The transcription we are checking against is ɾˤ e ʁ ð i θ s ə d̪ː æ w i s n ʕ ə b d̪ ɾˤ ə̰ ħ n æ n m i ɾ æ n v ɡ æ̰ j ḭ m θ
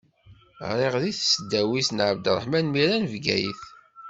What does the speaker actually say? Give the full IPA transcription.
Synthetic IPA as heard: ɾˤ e ʁ ð i θ s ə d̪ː æ w i s n ʕ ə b d̪ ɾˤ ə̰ ħ m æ n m i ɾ æ n v ɡ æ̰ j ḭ θ